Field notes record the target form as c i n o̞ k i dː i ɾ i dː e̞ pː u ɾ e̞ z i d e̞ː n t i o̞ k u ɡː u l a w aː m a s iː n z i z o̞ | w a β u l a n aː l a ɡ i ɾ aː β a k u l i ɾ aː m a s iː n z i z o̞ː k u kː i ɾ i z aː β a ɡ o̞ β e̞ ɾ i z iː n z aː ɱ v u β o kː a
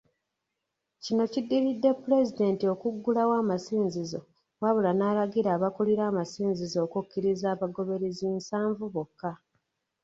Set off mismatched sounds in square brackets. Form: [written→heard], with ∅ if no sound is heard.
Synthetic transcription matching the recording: c i n o̞ [k→c] i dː i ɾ i dː e̞ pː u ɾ e̞ z i d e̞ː n t i o̞ k u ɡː u l a w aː m a s iː n z i z o̞ | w a β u l a n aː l a ɡ i ɾ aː β a k u l i ɾ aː m a s iː n z i z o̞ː k u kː i ɾ i z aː β a ɡ o̞ β e̞ ɾ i z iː n [z→s] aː ɱ v u β o kː a